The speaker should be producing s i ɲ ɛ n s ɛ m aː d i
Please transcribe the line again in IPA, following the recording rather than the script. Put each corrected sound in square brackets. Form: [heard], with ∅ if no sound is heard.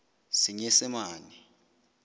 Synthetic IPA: s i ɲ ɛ [∅] s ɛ m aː [n] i